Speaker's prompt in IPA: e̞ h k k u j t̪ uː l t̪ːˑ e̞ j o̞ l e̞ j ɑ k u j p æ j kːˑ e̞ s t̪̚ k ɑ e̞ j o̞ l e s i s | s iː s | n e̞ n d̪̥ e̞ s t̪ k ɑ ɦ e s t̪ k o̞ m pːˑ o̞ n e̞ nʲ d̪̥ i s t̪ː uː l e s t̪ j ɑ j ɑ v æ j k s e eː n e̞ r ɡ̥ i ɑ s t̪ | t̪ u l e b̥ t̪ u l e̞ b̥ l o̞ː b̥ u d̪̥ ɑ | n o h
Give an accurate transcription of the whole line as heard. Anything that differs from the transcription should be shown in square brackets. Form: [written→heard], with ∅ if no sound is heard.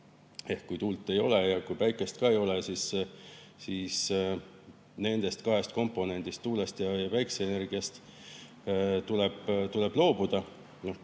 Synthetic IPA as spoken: e̞ h k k u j t̪ uː l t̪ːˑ e̞ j o̞ l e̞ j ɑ k u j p æ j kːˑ e̞ s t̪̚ k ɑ e̞ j o̞ l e s i s | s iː s | n e̞ n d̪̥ e̞ s t̪ k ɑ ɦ e s t̪ k o̞ m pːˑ o̞ n e̞ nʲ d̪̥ i s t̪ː uː l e s t̪ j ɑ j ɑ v æ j k s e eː n e̞ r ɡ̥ i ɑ s t̪ | t̪ u l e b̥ t̪ u l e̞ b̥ l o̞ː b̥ u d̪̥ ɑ | n o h

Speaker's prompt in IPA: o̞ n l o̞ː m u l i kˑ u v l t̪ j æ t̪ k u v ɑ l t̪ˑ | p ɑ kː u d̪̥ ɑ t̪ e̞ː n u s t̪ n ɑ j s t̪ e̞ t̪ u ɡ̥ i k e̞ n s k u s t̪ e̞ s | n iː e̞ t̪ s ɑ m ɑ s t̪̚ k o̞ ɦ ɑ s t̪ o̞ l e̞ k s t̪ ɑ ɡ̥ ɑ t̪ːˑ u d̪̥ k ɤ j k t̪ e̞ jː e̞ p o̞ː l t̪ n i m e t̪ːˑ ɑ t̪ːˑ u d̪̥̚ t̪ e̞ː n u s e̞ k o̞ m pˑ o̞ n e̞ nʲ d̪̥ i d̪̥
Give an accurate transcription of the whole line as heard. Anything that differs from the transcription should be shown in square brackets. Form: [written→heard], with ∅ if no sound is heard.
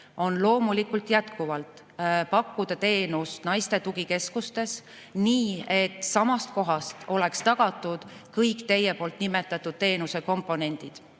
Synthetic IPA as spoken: o̞ n l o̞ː m u l i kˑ u [v→∅] l t̪ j æ t̪ k u v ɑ l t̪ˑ | p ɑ kː u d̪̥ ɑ t̪ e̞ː n u s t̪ n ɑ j s t̪ e̞ t̪ u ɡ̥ i k e̞ [n→∅] s k u s t̪ e̞ s | n iː e̞ t̪ s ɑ m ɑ s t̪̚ k o̞ ɦ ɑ s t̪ o̞ l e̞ k s t̪ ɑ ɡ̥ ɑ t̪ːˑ u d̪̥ k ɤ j k t̪ e̞ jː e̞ p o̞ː l t̪ n i m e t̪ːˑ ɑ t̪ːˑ u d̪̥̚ t̪ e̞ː n u s e̞ k o̞ m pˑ o̞ n e̞ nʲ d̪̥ i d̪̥

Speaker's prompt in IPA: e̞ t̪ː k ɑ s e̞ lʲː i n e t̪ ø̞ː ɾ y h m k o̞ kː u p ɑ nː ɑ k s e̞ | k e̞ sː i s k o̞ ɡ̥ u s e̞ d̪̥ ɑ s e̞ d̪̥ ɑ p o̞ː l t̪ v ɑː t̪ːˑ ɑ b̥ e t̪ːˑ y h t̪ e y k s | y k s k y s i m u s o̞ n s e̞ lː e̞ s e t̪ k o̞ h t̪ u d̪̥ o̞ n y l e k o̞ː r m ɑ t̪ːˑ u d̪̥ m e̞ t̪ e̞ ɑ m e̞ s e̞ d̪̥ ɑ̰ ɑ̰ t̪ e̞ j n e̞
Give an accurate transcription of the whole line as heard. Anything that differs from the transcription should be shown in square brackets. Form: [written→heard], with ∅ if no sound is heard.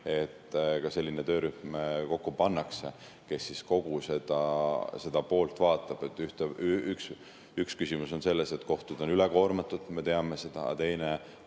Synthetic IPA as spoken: e̞ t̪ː k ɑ s e̞ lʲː i n e t̪ ø̞ː ɾ y h m k o̞ kː u p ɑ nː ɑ k s e̞ | k e̞ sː i s k o̞ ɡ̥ u s e̞ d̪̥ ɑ s e̞ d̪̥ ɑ p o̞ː l t̪ v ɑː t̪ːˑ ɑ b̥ e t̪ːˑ y h t̪ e y k s | y k s k y s i m u s o̞ n s e̞ lː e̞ s e t̪ k o̞ h t̪ u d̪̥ o̞ n y l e k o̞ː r m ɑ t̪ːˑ u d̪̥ m e̞ t̪ e̞ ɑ m e̞ s e̞ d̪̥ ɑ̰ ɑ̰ t̪ e̞ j n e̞

